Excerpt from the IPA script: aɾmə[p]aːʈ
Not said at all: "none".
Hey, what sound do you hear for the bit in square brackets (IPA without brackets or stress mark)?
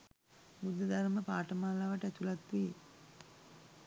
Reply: p